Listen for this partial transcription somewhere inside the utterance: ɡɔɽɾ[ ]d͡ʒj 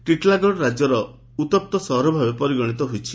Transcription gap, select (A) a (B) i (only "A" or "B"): A